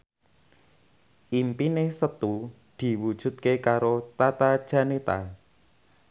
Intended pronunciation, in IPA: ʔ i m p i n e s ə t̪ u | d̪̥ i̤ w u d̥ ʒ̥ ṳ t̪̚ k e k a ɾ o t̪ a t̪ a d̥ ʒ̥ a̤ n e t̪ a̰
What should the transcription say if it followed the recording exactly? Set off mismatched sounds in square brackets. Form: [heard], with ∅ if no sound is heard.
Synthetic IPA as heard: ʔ i m p i n e s ə t̪ u | d̪̥ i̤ w u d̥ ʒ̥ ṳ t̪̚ k e k a ɾ o t̪ a t̪ a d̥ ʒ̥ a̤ n e t̪ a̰